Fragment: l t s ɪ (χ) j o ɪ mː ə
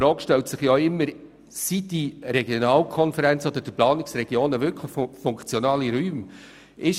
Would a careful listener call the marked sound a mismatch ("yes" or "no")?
no